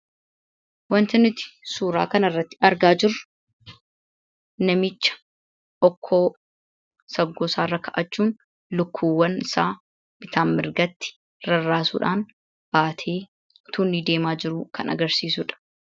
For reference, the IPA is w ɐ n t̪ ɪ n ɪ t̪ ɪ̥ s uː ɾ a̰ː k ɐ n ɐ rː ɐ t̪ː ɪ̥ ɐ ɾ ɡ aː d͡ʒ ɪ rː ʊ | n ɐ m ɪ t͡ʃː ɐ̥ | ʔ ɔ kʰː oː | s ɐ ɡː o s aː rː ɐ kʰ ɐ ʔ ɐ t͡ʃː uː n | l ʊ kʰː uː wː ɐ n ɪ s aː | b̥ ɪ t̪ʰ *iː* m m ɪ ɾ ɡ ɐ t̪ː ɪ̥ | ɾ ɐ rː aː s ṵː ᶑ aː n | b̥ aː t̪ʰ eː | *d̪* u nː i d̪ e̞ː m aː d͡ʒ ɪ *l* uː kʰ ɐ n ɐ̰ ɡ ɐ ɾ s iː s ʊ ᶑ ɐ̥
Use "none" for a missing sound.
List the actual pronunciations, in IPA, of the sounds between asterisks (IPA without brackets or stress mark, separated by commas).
aː, t̪, ɾ